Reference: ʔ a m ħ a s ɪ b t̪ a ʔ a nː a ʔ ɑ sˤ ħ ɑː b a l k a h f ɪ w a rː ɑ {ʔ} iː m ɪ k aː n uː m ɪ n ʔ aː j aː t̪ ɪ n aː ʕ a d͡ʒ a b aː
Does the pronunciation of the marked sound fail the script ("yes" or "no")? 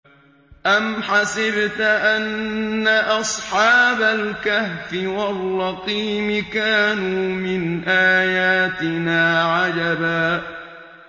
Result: yes